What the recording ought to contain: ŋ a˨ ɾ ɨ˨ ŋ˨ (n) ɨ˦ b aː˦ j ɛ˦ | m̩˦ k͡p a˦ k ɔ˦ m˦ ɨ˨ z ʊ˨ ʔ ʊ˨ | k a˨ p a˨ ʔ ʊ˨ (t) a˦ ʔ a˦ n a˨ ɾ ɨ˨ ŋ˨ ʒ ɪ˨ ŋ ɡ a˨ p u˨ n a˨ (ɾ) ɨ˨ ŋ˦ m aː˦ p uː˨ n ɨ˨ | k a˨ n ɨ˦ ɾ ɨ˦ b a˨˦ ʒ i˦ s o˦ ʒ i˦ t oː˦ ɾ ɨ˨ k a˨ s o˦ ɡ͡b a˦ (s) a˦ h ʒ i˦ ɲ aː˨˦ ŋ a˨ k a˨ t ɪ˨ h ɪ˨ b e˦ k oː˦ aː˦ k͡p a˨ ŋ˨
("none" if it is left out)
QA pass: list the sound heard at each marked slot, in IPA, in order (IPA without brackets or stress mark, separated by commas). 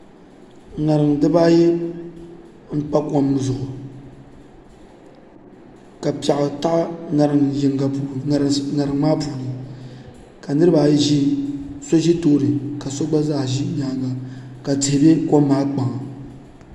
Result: d, t, ɾ, z